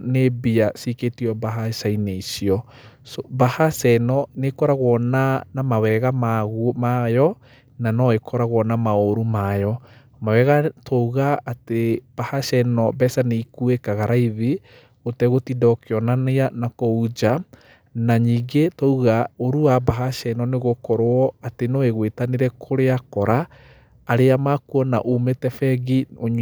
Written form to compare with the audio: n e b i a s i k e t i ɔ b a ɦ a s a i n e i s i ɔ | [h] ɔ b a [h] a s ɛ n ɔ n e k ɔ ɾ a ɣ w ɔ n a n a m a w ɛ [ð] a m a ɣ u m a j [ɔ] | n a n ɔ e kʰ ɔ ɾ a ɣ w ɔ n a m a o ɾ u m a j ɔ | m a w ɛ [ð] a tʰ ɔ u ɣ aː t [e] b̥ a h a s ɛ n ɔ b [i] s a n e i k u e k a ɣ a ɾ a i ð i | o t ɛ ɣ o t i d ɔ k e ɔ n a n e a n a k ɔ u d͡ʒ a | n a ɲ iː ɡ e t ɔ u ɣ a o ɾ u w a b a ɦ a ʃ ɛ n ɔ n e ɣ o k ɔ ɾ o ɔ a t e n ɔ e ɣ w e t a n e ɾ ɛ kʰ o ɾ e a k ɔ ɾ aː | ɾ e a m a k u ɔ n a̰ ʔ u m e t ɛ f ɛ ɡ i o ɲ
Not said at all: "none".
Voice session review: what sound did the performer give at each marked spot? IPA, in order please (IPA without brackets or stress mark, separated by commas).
s, h, ɣ, ɔ, ɣ, e, ɛ